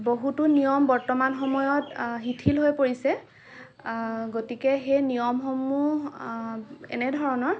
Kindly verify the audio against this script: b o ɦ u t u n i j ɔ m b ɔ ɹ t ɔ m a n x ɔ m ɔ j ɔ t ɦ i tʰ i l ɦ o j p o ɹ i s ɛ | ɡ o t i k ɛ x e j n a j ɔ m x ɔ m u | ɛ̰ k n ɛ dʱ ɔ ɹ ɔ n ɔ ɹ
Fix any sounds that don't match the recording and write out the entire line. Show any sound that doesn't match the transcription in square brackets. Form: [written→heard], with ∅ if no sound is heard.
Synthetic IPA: b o ɦ u t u n i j ɔ m b ɔ ɹ t ɔ m a n x ɔ m ɔ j ɔ t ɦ i tʰ i l ɦ o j p o ɹ i s ɛ | ɡ o t i k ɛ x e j n [a→i] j ɔ m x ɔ m u | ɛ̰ [k→∅] n ɛ dʱ ɔ ɹ ɔ n ɔ ɹ